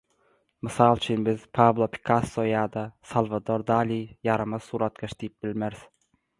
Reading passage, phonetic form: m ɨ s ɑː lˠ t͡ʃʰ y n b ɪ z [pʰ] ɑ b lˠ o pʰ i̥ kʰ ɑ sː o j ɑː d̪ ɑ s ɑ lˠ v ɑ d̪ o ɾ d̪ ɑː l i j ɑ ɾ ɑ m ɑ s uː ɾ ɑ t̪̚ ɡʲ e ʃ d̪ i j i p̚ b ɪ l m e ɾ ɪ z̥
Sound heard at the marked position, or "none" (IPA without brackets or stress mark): pʰ